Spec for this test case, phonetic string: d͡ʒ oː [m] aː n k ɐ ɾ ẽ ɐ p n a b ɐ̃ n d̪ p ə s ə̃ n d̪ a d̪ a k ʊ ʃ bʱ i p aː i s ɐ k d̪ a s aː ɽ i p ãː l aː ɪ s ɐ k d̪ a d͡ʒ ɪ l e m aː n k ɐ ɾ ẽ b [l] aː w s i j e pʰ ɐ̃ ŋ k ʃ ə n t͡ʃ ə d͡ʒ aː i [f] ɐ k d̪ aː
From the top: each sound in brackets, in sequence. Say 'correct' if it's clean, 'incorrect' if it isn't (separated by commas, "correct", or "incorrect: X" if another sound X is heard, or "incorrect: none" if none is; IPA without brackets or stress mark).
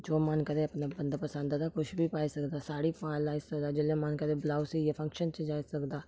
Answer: correct, correct, incorrect: s